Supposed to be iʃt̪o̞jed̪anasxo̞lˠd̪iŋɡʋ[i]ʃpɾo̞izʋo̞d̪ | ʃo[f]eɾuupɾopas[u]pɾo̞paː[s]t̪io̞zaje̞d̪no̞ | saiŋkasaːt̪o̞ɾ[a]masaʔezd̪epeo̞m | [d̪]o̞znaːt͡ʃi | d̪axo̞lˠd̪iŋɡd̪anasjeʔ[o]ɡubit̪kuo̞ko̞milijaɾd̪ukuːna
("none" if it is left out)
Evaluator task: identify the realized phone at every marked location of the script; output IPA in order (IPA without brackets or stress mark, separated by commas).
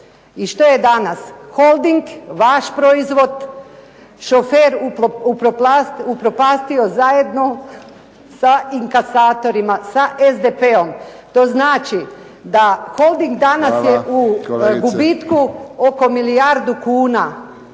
a, f, u, s, i, t̪, u